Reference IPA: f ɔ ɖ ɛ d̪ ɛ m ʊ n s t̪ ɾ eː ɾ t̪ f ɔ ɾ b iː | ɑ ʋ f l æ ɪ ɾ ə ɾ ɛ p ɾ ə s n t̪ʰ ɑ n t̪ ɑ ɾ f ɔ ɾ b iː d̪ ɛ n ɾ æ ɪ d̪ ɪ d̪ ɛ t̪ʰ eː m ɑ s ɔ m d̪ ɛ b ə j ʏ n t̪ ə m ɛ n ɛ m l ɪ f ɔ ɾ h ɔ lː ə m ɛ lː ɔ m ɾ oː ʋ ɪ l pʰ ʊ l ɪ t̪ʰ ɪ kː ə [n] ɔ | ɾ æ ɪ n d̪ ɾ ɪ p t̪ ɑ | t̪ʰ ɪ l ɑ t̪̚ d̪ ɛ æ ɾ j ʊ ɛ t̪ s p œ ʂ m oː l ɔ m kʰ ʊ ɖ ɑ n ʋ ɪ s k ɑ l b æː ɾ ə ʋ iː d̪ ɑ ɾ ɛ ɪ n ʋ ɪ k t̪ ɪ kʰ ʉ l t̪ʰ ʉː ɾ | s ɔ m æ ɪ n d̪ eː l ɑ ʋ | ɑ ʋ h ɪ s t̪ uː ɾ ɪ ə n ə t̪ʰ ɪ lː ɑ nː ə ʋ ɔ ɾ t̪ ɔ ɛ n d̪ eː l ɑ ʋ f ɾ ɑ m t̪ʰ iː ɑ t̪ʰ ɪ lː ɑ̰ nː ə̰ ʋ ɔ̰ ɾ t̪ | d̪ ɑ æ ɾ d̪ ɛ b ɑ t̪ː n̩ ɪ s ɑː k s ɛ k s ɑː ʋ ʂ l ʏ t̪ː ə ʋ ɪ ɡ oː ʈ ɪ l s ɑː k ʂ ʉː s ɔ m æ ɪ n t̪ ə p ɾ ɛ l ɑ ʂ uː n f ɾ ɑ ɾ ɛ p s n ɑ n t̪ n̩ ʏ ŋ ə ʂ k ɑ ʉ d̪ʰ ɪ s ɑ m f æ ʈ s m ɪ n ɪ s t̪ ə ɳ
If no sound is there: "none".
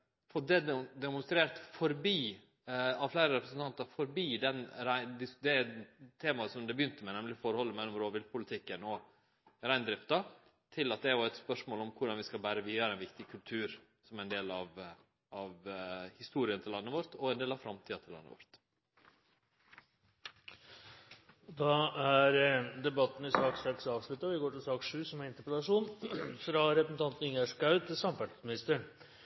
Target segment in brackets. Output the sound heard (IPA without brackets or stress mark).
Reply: n